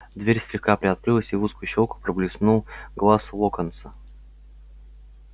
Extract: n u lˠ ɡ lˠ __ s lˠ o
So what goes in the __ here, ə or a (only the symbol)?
a